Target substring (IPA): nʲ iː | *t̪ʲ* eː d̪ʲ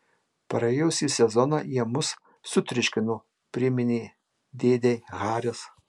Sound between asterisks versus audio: incorrect: d̪ʲ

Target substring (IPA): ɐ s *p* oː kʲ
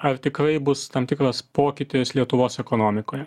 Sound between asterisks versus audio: correct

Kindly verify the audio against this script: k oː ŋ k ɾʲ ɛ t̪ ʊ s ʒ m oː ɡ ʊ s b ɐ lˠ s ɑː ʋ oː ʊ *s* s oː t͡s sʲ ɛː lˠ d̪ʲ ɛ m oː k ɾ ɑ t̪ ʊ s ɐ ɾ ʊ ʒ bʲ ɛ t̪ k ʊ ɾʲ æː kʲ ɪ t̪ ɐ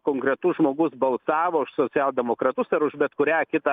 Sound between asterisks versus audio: incorrect: ʃ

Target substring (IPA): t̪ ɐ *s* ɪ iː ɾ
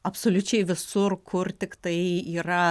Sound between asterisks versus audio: incorrect: none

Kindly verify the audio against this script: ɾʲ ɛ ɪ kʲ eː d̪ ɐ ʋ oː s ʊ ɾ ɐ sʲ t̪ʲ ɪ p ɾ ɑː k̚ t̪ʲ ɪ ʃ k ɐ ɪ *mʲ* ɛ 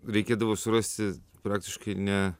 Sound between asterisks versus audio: incorrect: nʲ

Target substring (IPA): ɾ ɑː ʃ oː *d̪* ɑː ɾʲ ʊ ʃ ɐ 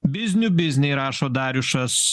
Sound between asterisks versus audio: correct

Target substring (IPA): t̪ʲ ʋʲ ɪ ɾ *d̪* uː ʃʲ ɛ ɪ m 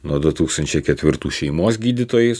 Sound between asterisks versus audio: incorrect: t̪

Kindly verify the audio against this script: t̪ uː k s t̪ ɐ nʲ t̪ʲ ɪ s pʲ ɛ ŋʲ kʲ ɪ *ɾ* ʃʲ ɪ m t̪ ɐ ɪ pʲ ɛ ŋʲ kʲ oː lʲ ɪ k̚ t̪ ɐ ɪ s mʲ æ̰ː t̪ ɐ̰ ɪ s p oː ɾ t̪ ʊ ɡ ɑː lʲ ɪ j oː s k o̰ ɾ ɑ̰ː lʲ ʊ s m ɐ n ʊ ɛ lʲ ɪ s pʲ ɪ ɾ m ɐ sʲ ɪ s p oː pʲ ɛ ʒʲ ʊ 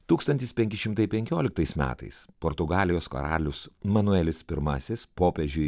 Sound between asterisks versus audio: incorrect: none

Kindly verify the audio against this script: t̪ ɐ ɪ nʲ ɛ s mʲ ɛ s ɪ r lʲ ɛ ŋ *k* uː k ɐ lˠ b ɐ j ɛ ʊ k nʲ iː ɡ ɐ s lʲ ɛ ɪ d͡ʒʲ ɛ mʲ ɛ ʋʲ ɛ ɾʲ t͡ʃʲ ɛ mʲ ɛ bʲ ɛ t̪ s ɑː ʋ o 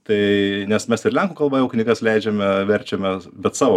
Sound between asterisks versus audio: correct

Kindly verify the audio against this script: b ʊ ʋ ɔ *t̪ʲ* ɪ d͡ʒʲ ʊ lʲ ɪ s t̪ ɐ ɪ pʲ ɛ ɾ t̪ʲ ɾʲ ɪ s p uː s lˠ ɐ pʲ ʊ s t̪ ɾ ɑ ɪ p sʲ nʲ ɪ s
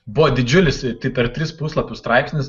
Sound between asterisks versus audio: incorrect: d̪ʲ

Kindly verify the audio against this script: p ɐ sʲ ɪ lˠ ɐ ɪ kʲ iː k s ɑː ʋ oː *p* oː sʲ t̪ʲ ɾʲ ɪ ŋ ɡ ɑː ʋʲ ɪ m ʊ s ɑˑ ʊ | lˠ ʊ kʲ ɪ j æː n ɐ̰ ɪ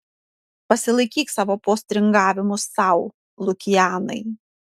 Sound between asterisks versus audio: correct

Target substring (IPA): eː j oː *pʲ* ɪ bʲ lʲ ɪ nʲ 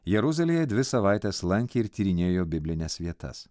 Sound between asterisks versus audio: incorrect: bʲ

